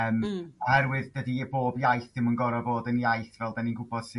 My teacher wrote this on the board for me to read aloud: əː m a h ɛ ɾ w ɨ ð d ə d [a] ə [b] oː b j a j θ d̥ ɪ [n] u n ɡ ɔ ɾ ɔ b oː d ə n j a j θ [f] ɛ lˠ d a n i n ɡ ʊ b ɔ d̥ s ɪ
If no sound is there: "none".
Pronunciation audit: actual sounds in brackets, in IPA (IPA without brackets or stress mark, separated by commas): i, b, m, v